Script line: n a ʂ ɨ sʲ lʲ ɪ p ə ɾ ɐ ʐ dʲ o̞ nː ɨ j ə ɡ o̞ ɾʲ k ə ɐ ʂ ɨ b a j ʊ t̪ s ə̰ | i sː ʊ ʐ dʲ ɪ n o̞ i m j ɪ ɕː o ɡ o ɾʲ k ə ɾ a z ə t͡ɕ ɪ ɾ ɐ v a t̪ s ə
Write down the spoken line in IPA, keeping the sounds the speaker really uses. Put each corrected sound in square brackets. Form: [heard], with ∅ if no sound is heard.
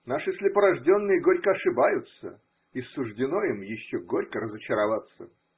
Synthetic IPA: n a ʂ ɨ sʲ lʲ ɪ p ə ɾ ɐ ʐ dʲ o̞ nː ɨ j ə ɡ o̞ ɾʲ k ə ɐ ʂ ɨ b a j ʊ t̪ s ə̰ | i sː ʊ ʐ dʲ ɪ n o̞ i m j ɪ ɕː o ɡ o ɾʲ k ə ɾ [ə] z ə t͡ɕ ɪ ɾ ɐ v a t̪ s ə